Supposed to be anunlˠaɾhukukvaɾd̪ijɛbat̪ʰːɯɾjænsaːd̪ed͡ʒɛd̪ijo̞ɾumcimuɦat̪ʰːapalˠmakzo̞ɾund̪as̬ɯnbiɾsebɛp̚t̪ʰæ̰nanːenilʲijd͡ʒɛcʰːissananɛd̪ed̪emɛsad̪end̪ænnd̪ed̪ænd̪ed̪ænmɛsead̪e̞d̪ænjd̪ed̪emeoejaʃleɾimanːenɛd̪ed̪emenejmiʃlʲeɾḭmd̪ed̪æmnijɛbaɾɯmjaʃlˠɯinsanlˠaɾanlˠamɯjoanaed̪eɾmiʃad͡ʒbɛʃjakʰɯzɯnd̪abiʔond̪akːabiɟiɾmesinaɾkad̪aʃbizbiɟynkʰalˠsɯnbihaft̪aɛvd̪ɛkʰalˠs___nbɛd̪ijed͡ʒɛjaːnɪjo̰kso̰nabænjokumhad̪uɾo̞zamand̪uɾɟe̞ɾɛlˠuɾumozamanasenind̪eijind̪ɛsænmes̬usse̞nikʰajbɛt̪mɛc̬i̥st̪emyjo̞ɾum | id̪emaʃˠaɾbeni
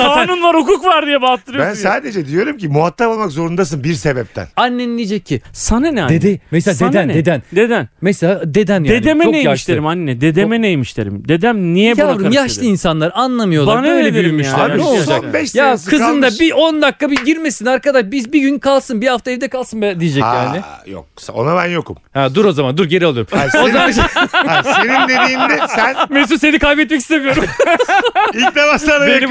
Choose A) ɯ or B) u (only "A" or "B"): A